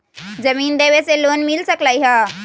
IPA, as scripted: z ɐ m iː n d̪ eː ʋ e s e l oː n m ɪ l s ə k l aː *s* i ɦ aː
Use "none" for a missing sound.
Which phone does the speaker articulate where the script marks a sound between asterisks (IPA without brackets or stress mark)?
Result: none